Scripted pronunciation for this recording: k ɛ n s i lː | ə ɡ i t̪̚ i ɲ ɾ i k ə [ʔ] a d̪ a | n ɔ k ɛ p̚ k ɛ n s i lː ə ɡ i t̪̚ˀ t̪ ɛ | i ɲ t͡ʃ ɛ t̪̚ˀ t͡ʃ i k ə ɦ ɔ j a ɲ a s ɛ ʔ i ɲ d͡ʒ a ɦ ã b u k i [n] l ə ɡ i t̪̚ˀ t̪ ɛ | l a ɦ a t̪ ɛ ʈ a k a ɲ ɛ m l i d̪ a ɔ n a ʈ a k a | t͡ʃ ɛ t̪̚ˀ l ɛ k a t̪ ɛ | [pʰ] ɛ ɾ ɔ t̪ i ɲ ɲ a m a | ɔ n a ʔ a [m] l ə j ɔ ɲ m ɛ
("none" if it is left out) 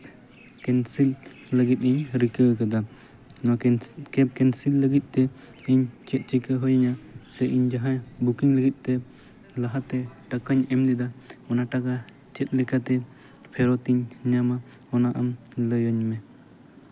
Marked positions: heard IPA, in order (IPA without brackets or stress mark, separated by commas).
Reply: k, ŋ, pʰ, m